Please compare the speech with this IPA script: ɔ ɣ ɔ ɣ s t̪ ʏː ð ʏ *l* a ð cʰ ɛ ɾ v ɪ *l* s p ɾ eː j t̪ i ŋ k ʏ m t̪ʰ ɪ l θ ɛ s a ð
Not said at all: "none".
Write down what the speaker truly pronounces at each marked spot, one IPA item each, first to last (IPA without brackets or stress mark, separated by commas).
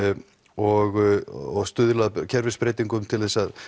l, none